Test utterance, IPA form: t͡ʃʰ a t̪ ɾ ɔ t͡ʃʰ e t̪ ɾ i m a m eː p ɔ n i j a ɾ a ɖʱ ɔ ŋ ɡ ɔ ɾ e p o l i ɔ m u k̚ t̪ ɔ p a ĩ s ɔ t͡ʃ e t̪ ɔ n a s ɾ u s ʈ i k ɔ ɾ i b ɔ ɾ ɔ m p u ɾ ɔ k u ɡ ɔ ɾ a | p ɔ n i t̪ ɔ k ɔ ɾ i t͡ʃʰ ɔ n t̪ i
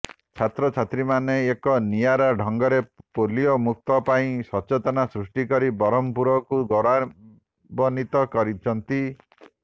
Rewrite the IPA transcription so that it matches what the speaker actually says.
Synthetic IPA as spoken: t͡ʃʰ a t̪ ɾ ɔ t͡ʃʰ a t̪ ɾ i m a n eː k ɔ n i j a ɾ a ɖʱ ɔ ŋ ɡ ɔ ɾ e p o l i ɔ m u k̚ t̪ ɔ p a ĩ s ɔ t͡ʃ e t̪ ɔ n a s ɾ u s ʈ i k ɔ ɾ i b ɔ ɾ ɔ m p u ɾ ɔ k u ɡ ɔ ɾ a | b ɔ n i t̪ ɔ k ɔ ɾ i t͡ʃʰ ɔ n t̪ i